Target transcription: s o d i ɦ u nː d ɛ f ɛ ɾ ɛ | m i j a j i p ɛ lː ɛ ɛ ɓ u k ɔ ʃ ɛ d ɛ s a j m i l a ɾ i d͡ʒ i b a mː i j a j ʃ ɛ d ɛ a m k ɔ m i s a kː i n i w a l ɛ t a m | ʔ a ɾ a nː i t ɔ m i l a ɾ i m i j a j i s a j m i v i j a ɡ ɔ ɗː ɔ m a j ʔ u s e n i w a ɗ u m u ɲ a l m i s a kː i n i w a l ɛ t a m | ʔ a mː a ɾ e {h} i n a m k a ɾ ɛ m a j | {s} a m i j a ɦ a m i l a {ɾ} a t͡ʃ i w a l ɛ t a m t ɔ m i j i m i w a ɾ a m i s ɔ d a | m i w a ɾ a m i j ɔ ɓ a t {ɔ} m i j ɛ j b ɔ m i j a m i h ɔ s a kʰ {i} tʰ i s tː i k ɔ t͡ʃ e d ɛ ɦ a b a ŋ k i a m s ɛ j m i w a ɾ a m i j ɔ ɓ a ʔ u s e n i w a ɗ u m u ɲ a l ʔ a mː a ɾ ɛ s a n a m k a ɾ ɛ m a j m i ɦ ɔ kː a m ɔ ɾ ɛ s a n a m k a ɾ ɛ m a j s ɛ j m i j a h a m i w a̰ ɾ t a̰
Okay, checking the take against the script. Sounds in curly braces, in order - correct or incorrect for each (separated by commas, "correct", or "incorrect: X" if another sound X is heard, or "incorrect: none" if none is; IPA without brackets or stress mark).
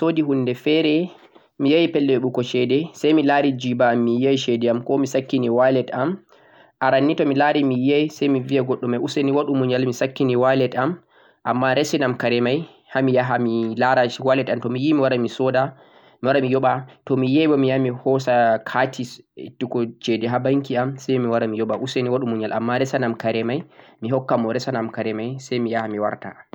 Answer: incorrect: s, incorrect: h, correct, correct, incorrect: a